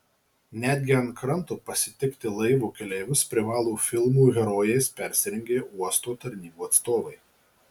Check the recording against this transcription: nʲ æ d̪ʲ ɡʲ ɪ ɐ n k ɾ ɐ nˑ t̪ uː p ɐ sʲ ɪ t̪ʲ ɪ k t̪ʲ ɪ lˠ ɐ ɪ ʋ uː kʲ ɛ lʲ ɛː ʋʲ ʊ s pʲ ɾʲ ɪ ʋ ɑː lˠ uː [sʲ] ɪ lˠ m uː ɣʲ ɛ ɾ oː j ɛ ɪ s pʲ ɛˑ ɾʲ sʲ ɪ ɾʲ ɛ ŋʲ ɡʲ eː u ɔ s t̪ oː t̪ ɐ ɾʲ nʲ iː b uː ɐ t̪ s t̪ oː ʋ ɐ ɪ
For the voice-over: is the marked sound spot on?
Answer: no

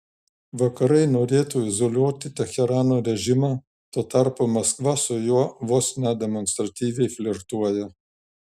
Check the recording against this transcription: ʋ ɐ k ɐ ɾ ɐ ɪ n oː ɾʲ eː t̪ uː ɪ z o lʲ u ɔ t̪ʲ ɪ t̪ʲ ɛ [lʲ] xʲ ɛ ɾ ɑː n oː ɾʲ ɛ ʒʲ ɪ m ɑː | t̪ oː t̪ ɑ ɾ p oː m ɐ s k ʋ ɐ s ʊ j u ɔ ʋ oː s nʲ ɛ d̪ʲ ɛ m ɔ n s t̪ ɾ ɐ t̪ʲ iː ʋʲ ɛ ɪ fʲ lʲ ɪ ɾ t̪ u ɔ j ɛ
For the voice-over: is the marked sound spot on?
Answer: no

